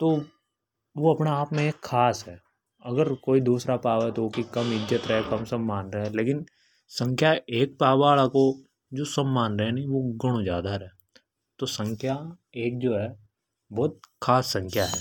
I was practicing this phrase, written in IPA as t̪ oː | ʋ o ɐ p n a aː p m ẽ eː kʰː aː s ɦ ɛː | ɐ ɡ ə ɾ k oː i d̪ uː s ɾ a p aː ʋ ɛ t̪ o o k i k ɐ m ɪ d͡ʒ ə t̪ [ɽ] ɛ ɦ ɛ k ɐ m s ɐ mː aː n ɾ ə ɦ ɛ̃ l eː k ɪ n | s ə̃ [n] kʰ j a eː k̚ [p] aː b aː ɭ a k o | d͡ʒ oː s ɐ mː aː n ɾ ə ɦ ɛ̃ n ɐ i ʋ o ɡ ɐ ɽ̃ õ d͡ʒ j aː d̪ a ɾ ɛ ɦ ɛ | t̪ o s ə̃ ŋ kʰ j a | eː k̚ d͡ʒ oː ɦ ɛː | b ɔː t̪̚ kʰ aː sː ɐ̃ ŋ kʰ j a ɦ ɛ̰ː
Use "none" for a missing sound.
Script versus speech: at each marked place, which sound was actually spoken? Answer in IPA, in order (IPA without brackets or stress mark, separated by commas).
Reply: ɾ, ŋ, p